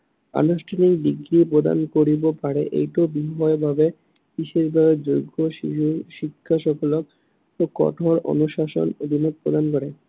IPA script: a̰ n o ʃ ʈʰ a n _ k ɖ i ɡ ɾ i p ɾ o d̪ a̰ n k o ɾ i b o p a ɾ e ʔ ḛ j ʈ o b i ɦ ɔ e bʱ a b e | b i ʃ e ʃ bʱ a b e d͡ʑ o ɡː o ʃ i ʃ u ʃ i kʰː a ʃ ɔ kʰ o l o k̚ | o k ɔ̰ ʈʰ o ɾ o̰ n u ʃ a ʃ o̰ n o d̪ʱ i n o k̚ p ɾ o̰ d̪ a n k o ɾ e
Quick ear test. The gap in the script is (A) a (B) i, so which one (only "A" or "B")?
B